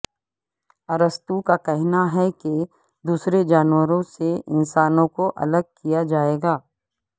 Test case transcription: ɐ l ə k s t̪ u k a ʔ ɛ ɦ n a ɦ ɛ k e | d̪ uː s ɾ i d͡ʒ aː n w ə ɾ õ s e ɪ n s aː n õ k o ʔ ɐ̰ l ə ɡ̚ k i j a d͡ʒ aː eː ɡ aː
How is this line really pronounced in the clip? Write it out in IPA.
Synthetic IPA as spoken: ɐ ɾ ə s t̪ u k a k ɛ ɦ n a ɦ ɛ k e | d̪ uː s ɾ e d͡ʒ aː n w ə ɾ õ s e ɪ n s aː n õ k o ʔ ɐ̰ l ə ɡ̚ k i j a d͡ʒ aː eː ɡ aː